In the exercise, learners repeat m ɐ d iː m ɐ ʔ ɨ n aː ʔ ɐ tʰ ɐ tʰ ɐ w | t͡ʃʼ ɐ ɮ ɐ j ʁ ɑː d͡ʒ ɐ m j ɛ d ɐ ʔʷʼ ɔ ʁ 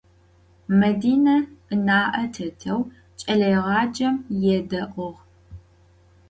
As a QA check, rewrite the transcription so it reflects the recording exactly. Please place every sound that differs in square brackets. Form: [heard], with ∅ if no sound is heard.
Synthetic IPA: m ɐ d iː [n] ɐ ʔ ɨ n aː ʔ ɐ tʰ ɐ tʰ ɐ w | t͡ʃʼ ɐ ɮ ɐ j ʁ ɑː d͡ʒ ɐ m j ɛ d ɐ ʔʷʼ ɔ ʁ